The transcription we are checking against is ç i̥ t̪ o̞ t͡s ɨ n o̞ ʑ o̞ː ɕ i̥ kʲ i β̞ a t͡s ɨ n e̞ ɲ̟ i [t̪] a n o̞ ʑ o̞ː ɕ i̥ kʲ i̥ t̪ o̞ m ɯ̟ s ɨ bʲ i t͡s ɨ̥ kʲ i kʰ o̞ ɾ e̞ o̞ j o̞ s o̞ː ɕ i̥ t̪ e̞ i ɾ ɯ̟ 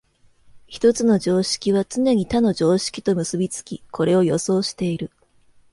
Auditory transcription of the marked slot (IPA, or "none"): t̪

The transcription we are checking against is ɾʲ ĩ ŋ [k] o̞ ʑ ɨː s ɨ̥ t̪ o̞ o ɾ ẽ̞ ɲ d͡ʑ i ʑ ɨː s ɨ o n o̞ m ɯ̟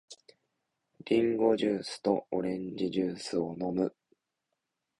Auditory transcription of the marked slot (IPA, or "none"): ɡ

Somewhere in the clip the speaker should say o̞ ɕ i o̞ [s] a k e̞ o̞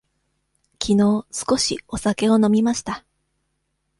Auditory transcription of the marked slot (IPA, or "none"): s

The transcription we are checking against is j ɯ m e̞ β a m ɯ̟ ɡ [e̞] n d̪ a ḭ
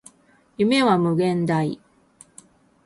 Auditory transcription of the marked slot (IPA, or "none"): ẽ̞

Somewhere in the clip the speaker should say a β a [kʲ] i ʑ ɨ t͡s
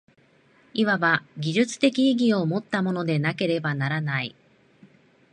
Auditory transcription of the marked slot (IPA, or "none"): ɡʲ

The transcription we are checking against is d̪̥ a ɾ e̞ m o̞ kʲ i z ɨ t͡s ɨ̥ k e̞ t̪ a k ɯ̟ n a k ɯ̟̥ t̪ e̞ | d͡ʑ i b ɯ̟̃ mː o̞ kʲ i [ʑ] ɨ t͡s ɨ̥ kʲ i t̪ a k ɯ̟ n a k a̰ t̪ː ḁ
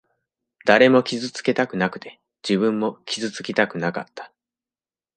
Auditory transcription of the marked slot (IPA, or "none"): z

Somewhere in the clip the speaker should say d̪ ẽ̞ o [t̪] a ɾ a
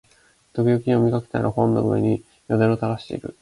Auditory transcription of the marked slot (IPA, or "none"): t̪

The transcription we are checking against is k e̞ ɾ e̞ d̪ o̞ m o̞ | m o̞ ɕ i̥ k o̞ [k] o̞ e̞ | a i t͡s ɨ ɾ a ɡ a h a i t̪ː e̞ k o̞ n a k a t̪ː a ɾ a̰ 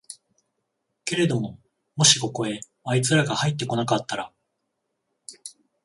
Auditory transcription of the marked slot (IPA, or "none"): k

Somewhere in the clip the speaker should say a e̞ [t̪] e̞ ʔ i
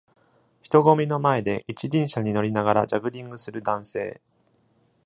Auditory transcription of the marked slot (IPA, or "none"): d̪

